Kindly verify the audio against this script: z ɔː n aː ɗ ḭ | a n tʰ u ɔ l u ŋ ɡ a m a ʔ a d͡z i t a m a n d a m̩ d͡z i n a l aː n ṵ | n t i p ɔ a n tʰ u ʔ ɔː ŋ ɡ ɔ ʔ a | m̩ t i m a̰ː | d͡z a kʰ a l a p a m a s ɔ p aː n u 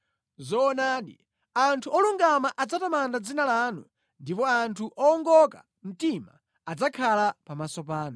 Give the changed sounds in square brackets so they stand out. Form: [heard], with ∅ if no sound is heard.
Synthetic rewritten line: z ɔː n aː ɗ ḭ | a n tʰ u ɔ l u ŋ ɡ a m a ʔ a d͡z [a] t a m a n d a [∅] d͡z i n a l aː n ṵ | n [d] i p ɔ a n tʰ u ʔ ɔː ŋ ɡ ɔ [k] a | m̩ t i m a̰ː | d͡z a kʰ a l a p a m a s ɔ p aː n u